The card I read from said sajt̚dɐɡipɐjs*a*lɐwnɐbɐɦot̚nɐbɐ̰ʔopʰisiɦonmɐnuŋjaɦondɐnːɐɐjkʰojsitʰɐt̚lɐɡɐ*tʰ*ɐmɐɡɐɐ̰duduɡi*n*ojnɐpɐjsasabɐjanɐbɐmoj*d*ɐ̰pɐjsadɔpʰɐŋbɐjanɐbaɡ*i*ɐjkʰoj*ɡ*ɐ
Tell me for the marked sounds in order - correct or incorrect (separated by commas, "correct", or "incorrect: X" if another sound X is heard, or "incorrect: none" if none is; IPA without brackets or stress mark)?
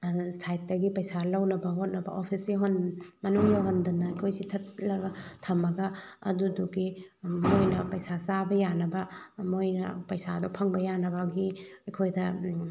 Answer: correct, correct, incorrect: m, incorrect: n, correct, incorrect: d